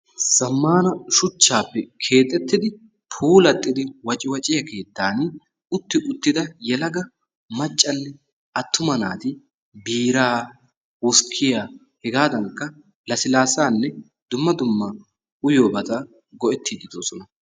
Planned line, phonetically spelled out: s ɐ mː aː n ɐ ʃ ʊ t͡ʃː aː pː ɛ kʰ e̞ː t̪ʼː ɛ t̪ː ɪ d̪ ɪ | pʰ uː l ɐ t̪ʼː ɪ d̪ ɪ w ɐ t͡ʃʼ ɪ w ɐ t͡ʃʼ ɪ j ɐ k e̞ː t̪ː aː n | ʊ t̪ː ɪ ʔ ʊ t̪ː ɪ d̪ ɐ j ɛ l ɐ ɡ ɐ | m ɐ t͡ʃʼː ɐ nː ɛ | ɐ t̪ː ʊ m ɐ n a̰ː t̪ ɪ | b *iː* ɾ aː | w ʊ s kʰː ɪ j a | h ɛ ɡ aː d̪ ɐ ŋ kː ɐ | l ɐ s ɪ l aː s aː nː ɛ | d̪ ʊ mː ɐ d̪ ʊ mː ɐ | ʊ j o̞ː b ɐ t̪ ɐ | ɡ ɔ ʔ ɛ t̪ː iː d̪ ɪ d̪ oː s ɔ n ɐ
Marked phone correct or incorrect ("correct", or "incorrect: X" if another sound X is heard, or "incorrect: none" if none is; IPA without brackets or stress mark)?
correct